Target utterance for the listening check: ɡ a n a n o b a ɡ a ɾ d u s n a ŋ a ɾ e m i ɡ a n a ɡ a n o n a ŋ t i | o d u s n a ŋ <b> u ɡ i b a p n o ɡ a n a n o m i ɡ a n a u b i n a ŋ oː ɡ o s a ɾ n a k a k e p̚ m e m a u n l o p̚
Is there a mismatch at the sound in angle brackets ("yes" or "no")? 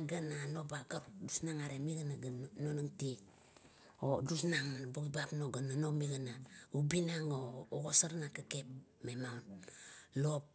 no